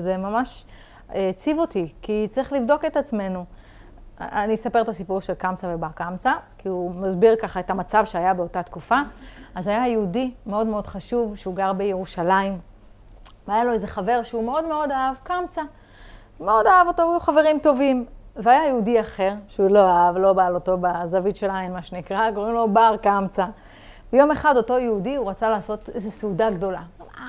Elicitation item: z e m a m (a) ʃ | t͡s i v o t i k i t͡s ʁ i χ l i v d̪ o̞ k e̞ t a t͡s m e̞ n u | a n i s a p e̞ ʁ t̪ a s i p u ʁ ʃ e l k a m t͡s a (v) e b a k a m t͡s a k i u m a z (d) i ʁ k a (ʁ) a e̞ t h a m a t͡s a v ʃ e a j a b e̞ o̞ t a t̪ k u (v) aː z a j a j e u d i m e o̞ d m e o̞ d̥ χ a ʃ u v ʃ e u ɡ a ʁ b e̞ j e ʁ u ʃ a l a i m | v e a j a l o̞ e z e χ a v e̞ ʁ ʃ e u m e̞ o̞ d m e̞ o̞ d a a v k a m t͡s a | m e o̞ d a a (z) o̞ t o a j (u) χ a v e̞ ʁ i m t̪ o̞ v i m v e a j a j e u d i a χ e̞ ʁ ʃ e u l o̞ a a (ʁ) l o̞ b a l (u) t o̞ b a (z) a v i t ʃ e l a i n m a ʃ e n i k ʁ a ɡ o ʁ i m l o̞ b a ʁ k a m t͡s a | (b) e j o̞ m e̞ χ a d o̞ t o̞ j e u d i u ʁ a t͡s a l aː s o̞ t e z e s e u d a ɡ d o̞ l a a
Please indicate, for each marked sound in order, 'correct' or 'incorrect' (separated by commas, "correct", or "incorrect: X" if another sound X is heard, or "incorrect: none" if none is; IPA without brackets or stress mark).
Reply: correct, correct, incorrect: b, incorrect: χ, incorrect: f, incorrect: v, correct, incorrect: v, incorrect: o, correct, correct